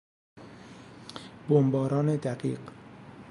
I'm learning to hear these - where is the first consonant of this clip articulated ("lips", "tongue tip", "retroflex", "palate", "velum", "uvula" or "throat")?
lips